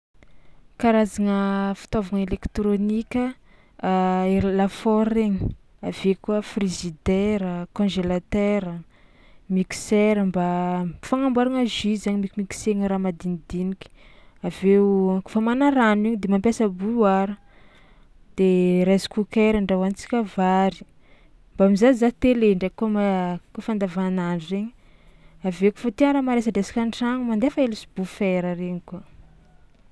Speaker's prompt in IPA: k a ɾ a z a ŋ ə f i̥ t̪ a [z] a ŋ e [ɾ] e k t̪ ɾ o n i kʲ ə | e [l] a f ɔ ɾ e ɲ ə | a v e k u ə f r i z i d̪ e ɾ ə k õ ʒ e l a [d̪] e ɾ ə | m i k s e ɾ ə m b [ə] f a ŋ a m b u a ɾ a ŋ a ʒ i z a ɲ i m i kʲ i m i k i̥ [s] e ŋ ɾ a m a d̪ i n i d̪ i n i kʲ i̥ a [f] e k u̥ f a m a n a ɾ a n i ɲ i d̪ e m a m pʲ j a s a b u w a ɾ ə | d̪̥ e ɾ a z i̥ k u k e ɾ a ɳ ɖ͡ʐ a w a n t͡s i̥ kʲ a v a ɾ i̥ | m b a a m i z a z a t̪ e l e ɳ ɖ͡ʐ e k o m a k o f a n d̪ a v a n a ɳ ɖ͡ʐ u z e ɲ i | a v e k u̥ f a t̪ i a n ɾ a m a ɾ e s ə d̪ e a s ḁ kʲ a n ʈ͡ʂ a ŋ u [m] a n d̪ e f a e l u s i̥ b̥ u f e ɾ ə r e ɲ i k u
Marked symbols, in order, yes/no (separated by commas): no, no, yes, no, no, yes, no, yes